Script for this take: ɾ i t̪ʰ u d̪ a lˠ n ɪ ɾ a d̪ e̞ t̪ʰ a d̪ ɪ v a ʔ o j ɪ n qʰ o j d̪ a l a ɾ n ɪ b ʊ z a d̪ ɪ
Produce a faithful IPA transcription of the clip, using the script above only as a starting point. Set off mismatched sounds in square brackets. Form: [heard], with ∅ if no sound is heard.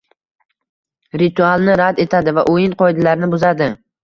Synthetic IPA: ɾ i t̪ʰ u [∅] a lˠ n ɪ ɾ a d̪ e̞ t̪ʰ a d̪ ɪ v a ʔ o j ɪ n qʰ [ɒ] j d̪ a l a ɾ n ɪ b ʊ z a d̪ ɪ